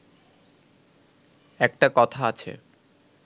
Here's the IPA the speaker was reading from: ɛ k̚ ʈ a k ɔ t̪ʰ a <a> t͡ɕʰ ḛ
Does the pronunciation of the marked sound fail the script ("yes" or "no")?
no